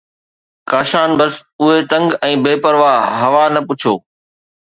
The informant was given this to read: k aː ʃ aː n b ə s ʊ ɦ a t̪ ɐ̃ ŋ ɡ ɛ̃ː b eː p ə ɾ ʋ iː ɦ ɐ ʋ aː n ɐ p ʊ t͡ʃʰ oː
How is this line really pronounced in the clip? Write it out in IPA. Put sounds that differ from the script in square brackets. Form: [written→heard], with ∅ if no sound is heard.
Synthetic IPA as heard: k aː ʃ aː n b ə s ʊ ɦ [a→e] t̪ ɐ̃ ŋ ɡ ɛ̃ː b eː p ə ɾ ʋ [iː→aː] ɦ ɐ ʋ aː n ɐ p ʊ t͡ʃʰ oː

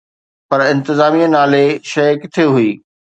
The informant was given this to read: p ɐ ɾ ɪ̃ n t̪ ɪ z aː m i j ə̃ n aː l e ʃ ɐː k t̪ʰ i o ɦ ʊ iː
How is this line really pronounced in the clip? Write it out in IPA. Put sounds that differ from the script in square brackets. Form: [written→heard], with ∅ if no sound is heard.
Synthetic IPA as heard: p ɐ ɾ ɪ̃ n t̪ ɪ z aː m i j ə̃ n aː l e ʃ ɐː k t̪ʰ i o ɦ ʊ iː

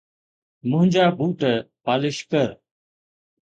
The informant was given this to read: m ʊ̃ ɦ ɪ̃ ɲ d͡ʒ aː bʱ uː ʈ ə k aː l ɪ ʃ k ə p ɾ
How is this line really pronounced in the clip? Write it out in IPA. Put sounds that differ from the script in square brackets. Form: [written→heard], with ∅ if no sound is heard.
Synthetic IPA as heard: m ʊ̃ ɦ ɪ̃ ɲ d͡ʒ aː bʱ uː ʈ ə [k→p] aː l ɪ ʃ k ə [p→∅] ɾ

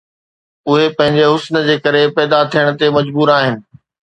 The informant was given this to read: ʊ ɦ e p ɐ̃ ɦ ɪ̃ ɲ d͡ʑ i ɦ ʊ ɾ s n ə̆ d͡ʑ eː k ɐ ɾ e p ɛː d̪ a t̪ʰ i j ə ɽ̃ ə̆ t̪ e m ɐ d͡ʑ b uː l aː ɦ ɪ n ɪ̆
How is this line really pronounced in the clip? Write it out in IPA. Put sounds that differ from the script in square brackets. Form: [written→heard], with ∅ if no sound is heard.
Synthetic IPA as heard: ʊ ɦ e p ɐ̃ ɦ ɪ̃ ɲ d͡ʑ [i→e] ɦ ʊ [ɾ→∅] s n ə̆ d͡ʑ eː k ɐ ɾ e p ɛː d̪ a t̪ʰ i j ə ɽ̃ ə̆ t̪ e m ɐ d͡ʑ b uː [l→ɾ] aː ɦ ɪ n ɪ̆

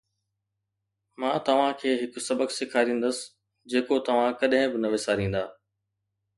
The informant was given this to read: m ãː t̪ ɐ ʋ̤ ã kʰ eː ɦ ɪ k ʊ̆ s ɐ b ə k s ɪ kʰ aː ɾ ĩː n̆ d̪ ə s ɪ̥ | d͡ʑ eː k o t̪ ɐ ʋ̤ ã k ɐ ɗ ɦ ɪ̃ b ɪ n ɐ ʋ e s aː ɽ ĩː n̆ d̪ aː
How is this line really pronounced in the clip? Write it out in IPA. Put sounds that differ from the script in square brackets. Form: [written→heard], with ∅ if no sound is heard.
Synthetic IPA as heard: m ãː t̪ ɐ ʋ̤ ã kʰ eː ɦ ɪ k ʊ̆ s ɐ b ə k s ɪ kʰ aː ɾ ĩː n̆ d̪ ə s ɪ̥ | d͡ʑ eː k o t̪ ɐ ʋ̤ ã k ɐ ɗ ɦ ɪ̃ b ɪ n ɐ ʋ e s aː [ɽ→ɾ] ĩː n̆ d̪ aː

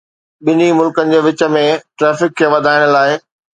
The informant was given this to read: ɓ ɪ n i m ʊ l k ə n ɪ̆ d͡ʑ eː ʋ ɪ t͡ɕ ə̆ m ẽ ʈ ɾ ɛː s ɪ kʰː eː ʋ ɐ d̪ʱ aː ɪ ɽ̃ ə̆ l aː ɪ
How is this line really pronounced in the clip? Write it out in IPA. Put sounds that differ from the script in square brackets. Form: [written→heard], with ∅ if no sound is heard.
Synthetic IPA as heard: ɓ ɪ n i m ʊ l k ə n ɪ̆ d͡ʑ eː ʋ ɪ t͡ɕ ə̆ m ẽ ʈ ɾ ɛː [s→f] ɪ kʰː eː ʋ ɐ d̪ʱ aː ɪ ɽ̃ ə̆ l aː ɪ

